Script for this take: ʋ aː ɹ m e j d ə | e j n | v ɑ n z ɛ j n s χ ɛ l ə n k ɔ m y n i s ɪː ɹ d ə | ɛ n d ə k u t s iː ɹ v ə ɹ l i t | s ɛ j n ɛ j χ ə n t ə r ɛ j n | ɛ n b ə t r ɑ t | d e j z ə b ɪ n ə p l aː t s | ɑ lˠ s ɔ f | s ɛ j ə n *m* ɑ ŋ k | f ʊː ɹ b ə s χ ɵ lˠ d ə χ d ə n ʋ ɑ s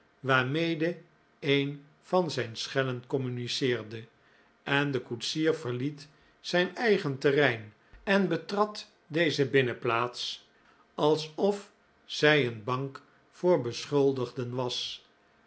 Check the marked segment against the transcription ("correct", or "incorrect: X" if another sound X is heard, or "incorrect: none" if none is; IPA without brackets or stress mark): incorrect: b